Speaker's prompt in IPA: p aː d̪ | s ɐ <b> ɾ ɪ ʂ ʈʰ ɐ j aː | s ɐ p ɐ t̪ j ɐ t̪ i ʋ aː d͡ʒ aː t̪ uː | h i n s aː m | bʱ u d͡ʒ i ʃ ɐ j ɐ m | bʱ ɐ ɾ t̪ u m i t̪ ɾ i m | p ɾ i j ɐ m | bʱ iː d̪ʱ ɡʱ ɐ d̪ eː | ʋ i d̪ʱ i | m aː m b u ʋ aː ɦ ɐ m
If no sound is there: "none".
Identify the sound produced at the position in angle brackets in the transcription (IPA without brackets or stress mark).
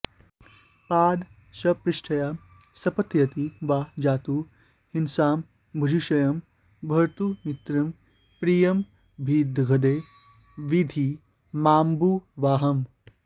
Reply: p